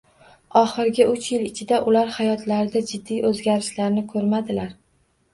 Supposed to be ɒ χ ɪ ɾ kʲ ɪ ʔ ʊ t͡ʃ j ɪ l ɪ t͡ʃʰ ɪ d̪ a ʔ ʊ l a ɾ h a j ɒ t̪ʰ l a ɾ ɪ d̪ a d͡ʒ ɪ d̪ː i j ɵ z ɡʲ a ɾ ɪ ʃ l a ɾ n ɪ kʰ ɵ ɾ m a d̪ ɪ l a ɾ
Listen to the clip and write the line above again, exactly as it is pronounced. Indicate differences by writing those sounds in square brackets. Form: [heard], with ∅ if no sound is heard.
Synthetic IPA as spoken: ɒ χ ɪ ɾ [ɡʲ] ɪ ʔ ʊ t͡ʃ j ɪ l ɪ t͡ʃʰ ɪ d̪ a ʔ ʊ l a ɾ h a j ɒ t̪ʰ l a ɾ ɪ d̪ a d͡ʒ ɪ d̪ː i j ɵ z ɡʲ a ɾ ɪ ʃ l a ɾ n ɪ kʰ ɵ ɾ m a d̪ ɪ l a ɾ